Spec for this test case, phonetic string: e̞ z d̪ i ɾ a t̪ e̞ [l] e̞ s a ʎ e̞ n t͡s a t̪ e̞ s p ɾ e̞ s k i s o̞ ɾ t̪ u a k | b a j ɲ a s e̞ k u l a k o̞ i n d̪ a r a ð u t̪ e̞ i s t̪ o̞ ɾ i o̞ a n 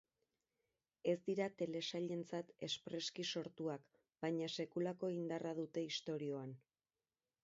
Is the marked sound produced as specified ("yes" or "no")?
yes